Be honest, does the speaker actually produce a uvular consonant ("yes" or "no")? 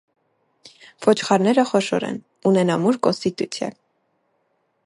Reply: yes